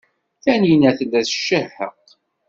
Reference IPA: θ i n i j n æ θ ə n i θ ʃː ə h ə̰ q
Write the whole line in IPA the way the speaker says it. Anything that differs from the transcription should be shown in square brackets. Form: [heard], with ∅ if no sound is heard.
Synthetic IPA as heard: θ [æ] n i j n æ θ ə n [æ] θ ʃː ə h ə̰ q